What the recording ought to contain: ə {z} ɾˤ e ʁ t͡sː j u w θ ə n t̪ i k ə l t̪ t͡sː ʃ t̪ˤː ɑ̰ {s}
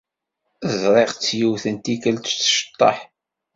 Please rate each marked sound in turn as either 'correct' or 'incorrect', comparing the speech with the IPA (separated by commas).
correct, incorrect